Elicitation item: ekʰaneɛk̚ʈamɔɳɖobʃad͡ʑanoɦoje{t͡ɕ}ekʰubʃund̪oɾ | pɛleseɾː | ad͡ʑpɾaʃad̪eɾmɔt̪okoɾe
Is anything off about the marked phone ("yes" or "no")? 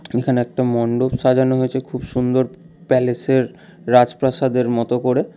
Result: yes